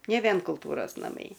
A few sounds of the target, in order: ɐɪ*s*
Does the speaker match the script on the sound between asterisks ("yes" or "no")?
no